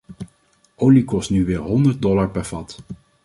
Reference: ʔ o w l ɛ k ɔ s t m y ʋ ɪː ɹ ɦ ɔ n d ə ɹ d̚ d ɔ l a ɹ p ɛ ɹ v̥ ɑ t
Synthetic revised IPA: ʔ o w l i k ɔ s t n y ʋ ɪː ɹ ɦ ɔ n d ə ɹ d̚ d ɔ l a ɹ p ɛ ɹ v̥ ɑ t